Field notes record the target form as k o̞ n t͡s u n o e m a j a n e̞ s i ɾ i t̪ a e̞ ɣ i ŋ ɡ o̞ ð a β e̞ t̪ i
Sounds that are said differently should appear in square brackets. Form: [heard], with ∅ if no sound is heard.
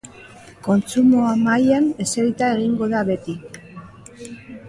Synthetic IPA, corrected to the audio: k o̞ n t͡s u [m] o [a] m a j a n e̞ s [e] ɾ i t̪ a e̞ ɣ i ŋ ɡ o̞ ð a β e̞ t̪ i